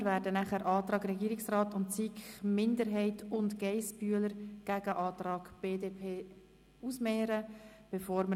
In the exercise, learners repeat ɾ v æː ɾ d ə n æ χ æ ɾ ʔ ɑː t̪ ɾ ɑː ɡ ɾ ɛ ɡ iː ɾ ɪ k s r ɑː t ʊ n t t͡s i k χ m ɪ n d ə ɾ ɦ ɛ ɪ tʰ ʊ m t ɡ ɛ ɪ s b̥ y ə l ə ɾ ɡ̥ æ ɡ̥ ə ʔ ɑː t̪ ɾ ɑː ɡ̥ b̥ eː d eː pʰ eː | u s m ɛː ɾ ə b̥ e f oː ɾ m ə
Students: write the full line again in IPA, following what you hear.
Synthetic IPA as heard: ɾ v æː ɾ d ə n æ χ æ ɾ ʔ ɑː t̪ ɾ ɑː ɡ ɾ ɛ ɡ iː ɾ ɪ k s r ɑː t ʊ n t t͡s i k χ m ɪ n d ə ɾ ɦ ɛ ɪ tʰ ʊ n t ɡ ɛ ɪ s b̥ y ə l ə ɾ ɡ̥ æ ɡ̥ ə ʔ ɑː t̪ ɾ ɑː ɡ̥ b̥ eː d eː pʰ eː | u s m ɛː ɾ ə b̥ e f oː ɾ m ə